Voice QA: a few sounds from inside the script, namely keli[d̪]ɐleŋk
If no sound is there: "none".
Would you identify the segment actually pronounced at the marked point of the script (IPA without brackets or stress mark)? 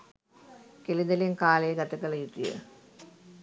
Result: d̪